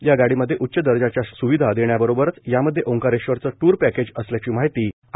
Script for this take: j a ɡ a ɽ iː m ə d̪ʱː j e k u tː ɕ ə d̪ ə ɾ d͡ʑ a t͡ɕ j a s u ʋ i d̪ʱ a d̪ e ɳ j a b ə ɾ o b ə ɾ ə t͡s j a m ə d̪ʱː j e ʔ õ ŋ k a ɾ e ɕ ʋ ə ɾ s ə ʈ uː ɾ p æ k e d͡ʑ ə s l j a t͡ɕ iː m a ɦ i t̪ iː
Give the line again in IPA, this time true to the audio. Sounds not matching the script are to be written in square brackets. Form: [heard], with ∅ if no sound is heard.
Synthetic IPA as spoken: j a ɡ a ɽ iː m ə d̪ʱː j e [ʔ] u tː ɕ ə d̪ ə ɾ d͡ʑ a t͡ɕ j a s u ʋ i d̪ʱ a d̪ e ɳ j a b ə ɾ o b ə ɾ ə t͡s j a m ə d̪ʱː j e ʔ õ ŋ k a ɾ e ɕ ʋ ə ɾ [t͡s] ə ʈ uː ɾ p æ k e d͡ʑ ə s l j a t͡ɕ iː m a ɦ i t̪ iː